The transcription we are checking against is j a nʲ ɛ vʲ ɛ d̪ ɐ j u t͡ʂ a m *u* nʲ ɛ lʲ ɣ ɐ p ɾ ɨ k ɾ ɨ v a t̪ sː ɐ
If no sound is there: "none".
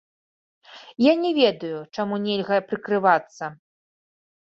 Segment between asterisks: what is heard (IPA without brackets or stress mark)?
u